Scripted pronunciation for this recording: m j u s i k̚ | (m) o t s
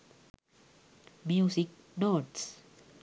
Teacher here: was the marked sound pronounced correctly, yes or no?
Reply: no